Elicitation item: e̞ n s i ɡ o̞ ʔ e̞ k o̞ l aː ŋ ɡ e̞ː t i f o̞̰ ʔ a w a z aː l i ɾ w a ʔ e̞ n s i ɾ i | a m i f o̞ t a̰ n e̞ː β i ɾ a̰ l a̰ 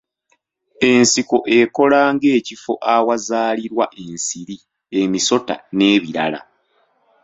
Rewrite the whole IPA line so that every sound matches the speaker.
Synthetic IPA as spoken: e̞ n s i k o̞ ʔ e̞ k o̞ l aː ŋ ɡ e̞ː c i f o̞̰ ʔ a w a z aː l i ɾ w a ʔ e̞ n s i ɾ i | e m i s o̞ t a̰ n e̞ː β i ɾ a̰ l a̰